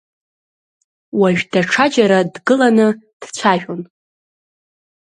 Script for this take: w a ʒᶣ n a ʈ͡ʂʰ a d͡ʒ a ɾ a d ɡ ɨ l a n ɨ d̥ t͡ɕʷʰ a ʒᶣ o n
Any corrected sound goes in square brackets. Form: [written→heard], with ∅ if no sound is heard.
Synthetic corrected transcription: w a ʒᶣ [n→d] a ʈ͡ʂʰ a d͡ʒ a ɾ a d ɡ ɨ l a n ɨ d̥ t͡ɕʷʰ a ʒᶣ o n